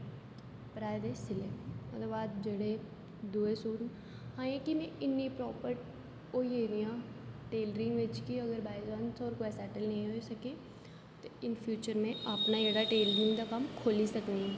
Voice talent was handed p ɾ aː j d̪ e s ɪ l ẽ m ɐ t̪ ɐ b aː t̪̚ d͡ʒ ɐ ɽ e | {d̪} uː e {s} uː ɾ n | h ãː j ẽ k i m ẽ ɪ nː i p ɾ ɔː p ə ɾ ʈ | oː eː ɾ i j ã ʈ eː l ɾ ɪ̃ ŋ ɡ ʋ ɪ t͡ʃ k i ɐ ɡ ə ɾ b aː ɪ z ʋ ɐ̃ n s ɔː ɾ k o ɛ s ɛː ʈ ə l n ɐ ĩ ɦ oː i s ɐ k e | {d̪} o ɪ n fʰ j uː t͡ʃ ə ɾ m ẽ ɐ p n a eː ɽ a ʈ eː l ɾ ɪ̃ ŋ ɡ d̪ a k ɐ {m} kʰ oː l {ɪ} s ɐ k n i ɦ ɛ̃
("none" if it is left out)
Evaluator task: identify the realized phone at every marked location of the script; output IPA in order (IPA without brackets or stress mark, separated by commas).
d̪, s, t̪, m, i